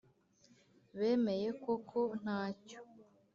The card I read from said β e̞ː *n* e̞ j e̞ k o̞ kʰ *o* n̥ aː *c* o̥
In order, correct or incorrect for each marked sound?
incorrect: m, correct, correct

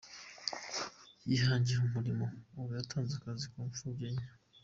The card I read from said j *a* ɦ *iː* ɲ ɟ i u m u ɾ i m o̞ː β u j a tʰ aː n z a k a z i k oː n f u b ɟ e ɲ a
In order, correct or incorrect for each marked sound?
incorrect: i, incorrect: aː

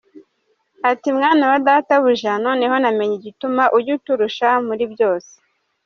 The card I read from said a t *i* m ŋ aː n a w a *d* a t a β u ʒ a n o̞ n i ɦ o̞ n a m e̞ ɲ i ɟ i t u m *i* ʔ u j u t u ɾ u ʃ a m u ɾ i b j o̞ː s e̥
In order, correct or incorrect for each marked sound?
correct, correct, incorrect: a

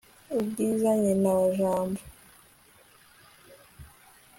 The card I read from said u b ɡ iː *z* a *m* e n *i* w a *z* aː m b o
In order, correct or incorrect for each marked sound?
correct, incorrect: ɲ, incorrect: a, incorrect: ʒ

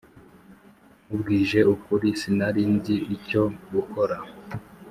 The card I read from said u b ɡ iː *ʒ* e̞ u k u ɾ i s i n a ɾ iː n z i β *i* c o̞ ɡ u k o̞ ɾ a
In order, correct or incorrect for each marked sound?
correct, correct

